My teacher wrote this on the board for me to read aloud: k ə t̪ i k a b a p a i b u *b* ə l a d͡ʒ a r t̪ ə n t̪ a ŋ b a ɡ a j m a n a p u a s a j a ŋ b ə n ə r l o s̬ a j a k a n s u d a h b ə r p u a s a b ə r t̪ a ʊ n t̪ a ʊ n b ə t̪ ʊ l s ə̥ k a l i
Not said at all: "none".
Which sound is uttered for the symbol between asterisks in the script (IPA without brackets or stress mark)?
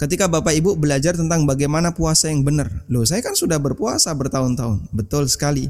b